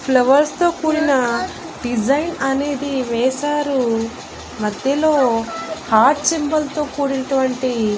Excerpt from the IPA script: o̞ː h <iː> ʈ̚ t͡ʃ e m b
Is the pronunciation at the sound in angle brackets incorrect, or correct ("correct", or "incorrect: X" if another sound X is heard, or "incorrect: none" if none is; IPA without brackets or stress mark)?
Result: incorrect: aː